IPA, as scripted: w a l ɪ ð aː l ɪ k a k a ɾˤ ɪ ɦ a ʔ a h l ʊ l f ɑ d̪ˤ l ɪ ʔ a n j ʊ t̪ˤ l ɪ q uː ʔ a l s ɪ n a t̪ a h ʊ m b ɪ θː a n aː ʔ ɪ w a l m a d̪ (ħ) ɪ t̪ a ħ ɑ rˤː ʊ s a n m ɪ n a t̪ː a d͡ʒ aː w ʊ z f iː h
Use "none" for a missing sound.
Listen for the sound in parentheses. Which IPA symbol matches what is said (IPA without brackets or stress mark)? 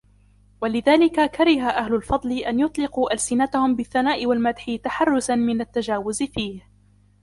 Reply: ħ